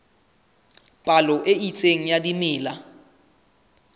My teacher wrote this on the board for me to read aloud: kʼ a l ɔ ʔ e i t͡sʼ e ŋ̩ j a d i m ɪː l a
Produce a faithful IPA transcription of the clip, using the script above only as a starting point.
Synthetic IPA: pʼ a l ɔ ʔ e i t͡sʼ e ŋ̩ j a d i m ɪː l a